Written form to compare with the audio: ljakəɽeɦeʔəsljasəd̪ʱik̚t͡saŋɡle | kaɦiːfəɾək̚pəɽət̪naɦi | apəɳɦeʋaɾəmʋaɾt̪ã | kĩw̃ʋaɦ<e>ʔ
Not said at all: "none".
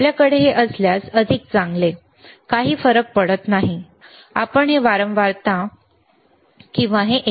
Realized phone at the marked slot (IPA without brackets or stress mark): e